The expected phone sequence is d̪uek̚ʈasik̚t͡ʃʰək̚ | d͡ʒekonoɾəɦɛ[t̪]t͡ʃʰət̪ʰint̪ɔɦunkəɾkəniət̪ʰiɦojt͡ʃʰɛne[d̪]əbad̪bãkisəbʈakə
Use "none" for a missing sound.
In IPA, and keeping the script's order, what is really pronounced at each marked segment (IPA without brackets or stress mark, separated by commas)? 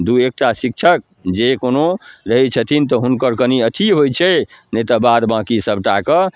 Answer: none, t̪